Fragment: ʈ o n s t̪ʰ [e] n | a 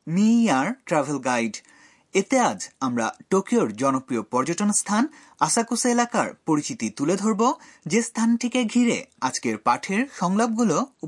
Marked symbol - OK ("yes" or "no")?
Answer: no